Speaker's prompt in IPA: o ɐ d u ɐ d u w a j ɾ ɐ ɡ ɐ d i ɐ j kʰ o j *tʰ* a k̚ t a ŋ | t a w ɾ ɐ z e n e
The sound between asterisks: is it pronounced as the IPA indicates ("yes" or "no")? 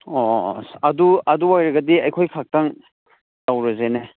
no